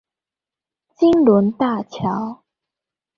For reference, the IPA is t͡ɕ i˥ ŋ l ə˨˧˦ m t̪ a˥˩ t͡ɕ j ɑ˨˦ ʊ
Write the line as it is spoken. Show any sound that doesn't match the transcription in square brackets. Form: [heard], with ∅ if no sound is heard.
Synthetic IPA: t͡ɕ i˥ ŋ l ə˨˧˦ [n] t̪ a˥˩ [t͡ɕʰ] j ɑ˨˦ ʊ